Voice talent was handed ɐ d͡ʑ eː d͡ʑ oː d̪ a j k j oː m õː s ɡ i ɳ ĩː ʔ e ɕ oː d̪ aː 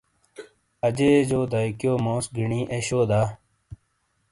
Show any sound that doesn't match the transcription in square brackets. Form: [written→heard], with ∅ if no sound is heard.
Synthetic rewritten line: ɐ d͡ʑ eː d͡ʑ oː d̪ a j k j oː m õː s ɡ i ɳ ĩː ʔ e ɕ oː d̪ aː